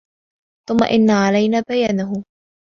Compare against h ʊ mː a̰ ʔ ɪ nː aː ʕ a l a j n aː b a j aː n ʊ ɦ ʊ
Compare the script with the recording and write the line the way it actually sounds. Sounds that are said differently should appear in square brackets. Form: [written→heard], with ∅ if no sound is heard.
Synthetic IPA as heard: [h→θ] ʊ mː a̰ ʔ ɪ nː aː ʕ a l a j n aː b a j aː n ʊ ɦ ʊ